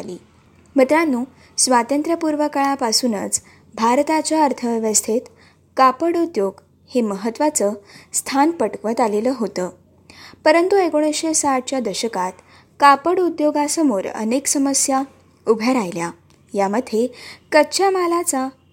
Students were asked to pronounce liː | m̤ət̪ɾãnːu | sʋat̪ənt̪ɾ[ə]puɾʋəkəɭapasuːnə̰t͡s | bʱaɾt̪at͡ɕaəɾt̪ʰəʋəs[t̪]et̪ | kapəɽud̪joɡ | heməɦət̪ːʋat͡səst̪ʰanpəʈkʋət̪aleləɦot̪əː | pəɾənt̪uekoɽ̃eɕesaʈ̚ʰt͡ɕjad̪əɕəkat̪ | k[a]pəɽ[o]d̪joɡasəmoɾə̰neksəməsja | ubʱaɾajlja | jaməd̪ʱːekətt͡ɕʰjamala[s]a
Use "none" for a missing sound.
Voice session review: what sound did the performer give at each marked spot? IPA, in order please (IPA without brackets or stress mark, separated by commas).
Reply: ə, t̪ʰ, a, u, t͡s